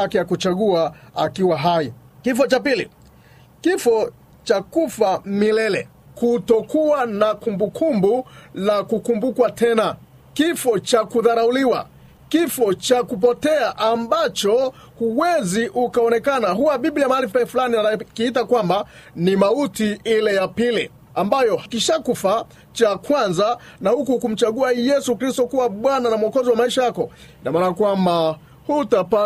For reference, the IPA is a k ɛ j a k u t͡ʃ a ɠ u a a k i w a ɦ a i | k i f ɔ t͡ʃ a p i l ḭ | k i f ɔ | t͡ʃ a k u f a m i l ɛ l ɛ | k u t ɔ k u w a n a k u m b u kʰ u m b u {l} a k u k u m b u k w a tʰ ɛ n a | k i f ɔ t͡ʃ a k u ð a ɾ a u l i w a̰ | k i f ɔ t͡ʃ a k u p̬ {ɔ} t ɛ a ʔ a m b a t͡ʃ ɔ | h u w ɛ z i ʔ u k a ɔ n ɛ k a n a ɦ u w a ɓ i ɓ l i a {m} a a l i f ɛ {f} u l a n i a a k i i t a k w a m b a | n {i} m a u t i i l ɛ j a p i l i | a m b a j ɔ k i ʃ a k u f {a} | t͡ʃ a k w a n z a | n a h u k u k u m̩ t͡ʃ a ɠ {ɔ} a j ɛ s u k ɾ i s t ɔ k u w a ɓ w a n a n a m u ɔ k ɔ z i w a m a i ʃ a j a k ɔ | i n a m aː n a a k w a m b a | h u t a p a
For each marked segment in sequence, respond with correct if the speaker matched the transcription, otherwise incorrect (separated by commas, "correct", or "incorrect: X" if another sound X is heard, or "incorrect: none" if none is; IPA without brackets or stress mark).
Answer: correct, correct, correct, correct, correct, correct, incorrect: u